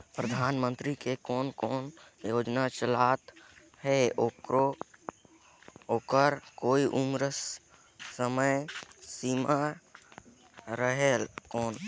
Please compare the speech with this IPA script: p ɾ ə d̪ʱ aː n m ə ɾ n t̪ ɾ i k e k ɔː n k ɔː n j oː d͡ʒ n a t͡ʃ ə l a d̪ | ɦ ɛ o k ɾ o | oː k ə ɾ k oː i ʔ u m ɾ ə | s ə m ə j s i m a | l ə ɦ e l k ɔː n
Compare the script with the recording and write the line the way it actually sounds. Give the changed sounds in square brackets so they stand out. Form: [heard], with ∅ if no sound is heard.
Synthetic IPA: p ɾ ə d̪ʱ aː n m ə [∅] n t̪ ɾ i k e k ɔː n k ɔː n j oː d͡ʒ n a t͡ʃ ə l a [t̪] | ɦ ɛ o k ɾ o | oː k ə ɾ k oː i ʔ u m ɾ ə | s ə m ə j s i m a | [ɾ] ə ɦ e l k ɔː n

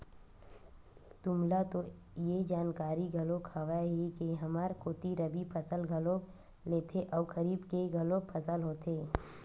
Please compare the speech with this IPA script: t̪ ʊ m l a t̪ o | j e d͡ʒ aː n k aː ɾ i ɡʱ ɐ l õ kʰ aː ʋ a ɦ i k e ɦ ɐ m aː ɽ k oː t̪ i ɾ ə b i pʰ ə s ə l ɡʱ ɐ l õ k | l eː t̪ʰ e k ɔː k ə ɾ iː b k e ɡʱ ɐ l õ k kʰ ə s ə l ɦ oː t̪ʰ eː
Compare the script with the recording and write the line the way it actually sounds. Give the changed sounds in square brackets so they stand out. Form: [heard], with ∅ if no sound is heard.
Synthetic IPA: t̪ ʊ m l a t̪ o | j e d͡ʒ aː n k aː ɾ i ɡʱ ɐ l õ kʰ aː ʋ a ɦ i k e ɦ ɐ m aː [ɾ] k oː t̪ i ɾ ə b i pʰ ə s ə l ɡʱ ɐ l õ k | l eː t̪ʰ e [ʔ] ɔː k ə ɾ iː b k e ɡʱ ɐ l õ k [pʰ] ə s ə l ɦ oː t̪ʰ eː

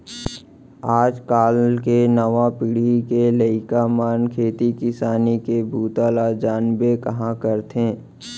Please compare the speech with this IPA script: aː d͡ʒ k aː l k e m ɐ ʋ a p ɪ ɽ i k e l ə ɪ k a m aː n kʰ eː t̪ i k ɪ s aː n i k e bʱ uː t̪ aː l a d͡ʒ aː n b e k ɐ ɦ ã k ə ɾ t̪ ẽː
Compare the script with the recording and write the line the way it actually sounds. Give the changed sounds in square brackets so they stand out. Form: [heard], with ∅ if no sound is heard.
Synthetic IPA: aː d͡ʒ k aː l k e [n] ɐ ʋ a p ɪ ɽ i k e l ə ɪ k a m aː n kʰ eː t̪ i k ɪ s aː n i k e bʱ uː t̪ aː l a d͡ʒ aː n b e k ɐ ɦ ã k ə ɾ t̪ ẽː

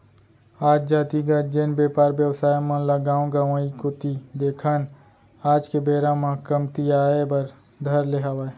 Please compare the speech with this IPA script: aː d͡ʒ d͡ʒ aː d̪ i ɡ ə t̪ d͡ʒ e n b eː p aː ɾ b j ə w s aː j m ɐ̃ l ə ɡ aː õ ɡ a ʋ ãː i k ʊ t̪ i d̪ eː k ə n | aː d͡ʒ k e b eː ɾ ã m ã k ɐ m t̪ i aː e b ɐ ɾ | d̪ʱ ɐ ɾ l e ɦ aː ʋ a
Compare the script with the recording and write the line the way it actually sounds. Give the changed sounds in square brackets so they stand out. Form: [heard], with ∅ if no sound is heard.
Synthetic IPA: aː d͡ʒ d͡ʒ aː [t̪] i ɡ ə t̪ d͡ʒ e n b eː p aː ɾ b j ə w s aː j m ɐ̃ l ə ɡ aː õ ɡ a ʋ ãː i k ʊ t̪ i d̪ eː [kʰ] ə n | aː d͡ʒ k e b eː ɾ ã m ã k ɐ m t̪ i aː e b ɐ ɾ | d̪ʱ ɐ ɾ l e ɦ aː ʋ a

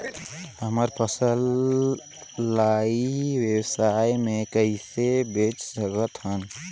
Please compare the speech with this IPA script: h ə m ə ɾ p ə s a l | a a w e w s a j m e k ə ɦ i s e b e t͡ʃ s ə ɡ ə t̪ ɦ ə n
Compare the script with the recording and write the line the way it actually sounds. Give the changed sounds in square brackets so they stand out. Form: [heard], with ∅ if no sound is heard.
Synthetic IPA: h ə m ə ɾ p ə s [ə] l | a [i] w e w s a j m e k ə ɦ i s e b e t͡ʃ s ə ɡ ə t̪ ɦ ə n

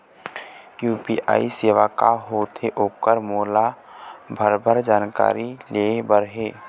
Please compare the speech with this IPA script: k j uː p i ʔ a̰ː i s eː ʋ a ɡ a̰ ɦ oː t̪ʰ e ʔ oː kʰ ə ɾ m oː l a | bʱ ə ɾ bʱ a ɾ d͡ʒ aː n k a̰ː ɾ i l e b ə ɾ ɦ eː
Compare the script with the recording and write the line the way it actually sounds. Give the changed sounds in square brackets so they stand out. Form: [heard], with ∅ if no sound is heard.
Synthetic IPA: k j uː p i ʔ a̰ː i s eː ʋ a [k] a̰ ɦ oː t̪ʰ e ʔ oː [k] ə ɾ m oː l a | bʱ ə ɾ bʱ [ə] ɾ d͡ʒ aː n k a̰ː ɾ i l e b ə ɾ ɦ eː

